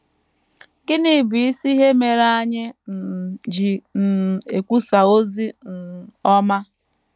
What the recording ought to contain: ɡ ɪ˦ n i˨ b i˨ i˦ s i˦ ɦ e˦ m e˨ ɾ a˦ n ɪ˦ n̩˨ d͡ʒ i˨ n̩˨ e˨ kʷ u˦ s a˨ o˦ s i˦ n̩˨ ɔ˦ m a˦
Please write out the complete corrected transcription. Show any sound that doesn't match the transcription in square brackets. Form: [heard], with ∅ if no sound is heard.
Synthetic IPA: ɡ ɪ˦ n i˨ b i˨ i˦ s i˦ ɦ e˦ m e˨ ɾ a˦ [ɲ] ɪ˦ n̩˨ d͡ʒ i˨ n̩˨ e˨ kʷ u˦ s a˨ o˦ [z] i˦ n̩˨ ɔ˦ m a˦